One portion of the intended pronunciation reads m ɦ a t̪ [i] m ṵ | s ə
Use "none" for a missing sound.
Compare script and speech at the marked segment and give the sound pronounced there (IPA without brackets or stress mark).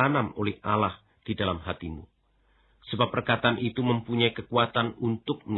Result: i